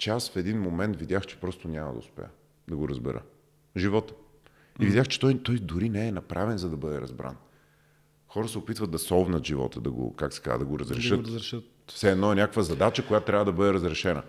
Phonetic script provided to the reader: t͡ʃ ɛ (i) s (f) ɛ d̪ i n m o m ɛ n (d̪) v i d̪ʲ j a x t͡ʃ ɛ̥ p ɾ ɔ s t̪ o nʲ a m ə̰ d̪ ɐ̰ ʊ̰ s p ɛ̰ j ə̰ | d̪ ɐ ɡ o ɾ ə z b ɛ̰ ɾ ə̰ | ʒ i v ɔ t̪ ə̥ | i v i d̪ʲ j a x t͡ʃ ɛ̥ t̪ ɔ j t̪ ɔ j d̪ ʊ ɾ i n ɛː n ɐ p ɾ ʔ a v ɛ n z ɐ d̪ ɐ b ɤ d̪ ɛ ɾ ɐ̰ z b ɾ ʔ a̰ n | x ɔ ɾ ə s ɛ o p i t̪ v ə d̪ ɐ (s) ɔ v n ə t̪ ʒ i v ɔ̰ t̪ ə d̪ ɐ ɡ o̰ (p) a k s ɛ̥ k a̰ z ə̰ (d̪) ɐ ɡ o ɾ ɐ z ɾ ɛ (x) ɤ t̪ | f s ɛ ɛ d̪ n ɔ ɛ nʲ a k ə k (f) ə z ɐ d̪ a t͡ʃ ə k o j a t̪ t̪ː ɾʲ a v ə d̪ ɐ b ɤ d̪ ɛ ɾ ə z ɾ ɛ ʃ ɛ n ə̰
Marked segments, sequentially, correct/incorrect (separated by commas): incorrect, correct, incorrect, correct, incorrect, correct, incorrect, incorrect